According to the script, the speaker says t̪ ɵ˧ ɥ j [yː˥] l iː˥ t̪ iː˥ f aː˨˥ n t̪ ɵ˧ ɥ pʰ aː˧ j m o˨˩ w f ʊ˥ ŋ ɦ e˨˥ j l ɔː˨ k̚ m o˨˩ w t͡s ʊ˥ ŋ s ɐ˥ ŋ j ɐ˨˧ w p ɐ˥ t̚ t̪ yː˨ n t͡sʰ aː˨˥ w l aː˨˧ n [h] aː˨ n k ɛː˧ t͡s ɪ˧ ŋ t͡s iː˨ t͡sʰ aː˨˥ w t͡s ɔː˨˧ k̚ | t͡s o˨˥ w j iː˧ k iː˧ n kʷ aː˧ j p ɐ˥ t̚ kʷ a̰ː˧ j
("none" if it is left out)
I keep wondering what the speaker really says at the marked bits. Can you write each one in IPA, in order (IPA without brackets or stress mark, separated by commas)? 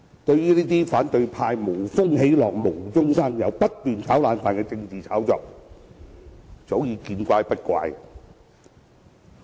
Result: yː˥, f